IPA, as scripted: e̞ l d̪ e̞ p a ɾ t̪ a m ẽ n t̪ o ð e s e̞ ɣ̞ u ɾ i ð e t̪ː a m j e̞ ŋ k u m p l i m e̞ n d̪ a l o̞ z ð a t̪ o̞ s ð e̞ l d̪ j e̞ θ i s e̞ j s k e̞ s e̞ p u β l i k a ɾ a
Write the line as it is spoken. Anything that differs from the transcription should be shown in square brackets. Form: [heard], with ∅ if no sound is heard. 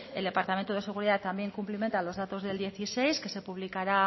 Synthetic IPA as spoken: e̞ l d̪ e̞ p a ɾ t̪ a m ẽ n t̪ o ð e s e̞ ɣ̞ u ɾ i ð [a] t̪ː a m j e̞ ŋ k u m p l i m e̞ n [t̪] a l o̞ z ð a t̪ o̞ [z] ð e̞ l d̪ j e̞ θ i s e̞ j s k e̞ s e̞ p u β l i k a ɾ a

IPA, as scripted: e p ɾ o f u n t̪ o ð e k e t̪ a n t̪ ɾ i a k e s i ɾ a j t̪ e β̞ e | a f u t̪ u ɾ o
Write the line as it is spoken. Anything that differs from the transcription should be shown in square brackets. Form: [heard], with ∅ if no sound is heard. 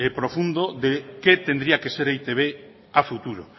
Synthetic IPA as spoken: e p ɾ o f u n [d̪] o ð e k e t̪ [e] n [d̪] ɾ i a k e s [e] ɾ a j t̪ e β̞ e | a f u t̪ u ɾ o

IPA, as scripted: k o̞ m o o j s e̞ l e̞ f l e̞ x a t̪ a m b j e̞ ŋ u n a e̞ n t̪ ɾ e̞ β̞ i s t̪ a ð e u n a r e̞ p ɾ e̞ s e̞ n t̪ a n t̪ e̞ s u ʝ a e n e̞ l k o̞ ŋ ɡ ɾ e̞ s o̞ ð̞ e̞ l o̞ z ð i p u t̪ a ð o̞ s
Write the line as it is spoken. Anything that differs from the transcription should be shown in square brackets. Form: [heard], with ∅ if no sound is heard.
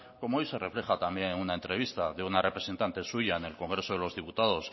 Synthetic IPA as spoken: k o̞ m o o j s e̞ [r] e̞ f l e̞ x a t̪ a m b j e̞ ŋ u n a e̞ n t̪ ɾ e̞ β̞ i s t̪ a ð e u n a r e̞ p ɾ e̞ s e̞ n t̪ a n t̪ e̞ s u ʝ a e n e̞ l k o̞ ŋ ɡ ɾ e̞ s o̞ ð̞ e̞ l o̞ z ð i p u t̪ a ð o̞ s

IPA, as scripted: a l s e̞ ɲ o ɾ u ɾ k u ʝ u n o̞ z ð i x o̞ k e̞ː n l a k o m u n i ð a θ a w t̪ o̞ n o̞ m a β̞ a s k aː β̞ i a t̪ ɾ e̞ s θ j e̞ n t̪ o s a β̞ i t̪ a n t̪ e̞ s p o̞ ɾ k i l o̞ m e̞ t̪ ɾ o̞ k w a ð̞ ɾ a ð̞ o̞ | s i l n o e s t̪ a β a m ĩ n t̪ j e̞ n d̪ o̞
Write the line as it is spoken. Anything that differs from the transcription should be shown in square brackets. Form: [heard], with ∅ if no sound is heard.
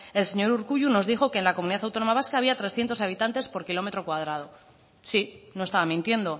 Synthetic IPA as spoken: [e] l s e̞ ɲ o ɾ u ɾ k u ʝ u n o̞ z ð i x o̞ k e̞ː n l a k o m u n i ð a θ a w t̪ o̞ n o̞ m a β̞ a s k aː β̞ i a t̪ ɾ e̞ s θ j e̞ n t̪ o s a β̞ i t̪ a n t̪ e̞ s p o̞ ɾ k i l o̞ m e̞ t̪ ɾ o̞ k w a ð̞ ɾ a ð̞ o̞ | s i [∅] n o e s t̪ a β a m ĩ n t̪ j e̞ n d̪ o̞

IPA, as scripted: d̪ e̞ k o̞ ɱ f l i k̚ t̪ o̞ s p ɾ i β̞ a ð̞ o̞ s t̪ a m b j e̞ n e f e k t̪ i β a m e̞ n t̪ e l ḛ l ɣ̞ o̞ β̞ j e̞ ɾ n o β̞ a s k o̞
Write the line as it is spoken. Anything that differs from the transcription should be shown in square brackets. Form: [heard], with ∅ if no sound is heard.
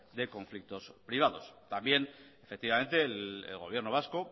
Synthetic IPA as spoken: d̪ e̞ k o̞ ɱ f l i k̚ t̪ o̞ s p ɾ i β̞ a ð̞ o̞ s t̪ a m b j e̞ n e f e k t̪ i β a m e̞ n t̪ e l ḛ l ɣ̞ o̞ β̞ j e̞ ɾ n o β̞ a s k o̞

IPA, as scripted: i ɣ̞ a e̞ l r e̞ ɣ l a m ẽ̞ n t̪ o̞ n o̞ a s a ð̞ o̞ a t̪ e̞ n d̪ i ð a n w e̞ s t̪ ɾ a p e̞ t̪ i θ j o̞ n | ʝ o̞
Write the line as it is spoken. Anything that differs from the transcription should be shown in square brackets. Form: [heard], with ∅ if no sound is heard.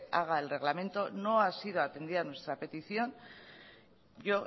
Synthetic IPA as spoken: [a] ɣ̞ a e̞ l r e̞ ɣ l a m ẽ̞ n t̪ o̞ n o̞ a s [i] ð̞ o̞ a t̪ e̞ n d̪ i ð a n w e̞ s t̪ ɾ a p e̞ t̪ i θ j o̞ n | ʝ o̞

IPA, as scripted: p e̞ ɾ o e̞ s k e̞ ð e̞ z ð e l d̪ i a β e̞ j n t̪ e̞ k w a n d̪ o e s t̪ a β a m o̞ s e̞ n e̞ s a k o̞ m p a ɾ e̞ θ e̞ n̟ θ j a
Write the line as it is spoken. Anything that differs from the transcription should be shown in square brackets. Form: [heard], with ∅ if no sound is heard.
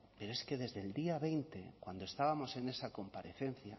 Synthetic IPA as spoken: p e̞ ɾ o e̞ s k e̞ ð e̞ z ð e l d̪ i a β e̞ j n t̪ e̞ k w a n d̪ o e s t̪ a β a m o̞ s e̞ n e̞ s a k o̞ m p a ɾ e̞ θ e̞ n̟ θ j a

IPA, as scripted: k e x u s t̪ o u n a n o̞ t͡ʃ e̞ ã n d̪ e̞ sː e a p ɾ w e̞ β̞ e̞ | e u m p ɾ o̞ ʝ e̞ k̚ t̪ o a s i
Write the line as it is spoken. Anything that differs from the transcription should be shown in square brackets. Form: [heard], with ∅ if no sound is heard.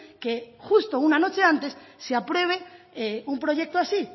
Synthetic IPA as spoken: k e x u s t̪ o u n a n o̞ t͡ʃ e̞ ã n [t̪] e̞ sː e a p ɾ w e̞ β̞ e̞ | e u m p ɾ o̞ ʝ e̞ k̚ t̪ o a s i

